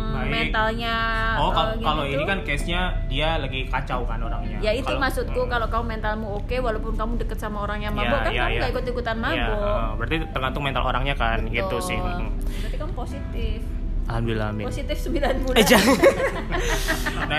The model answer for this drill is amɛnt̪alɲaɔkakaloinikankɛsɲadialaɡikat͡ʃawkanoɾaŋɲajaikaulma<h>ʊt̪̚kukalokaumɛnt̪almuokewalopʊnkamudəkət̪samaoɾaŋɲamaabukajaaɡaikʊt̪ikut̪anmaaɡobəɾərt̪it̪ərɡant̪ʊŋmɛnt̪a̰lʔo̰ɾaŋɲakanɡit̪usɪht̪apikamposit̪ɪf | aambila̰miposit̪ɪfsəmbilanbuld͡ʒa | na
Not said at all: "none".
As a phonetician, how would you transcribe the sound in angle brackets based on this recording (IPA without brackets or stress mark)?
s